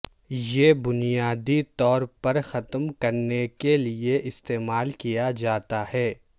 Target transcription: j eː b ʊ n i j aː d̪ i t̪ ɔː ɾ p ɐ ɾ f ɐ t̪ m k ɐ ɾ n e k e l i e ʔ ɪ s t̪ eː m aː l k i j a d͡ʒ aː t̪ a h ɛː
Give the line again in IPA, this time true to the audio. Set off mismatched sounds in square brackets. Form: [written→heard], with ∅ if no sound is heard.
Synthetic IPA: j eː b ʊ n i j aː d̪ i t̪ ɔː ɾ p ɐ ɾ [f→x] ɐ t̪ m k ɐ ɾ n e k e l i e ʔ ɪ s t̪ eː m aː l k i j a d͡ʒ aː t̪ a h ɛː